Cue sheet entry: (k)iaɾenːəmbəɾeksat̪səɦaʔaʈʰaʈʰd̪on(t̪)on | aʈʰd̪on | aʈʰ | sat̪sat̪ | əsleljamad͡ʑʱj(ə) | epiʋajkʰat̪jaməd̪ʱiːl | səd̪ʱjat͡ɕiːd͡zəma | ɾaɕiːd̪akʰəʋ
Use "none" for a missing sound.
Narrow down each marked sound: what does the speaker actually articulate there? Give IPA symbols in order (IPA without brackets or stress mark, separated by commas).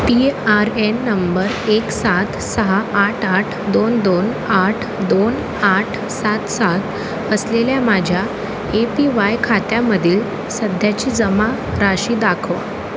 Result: p, d̪, a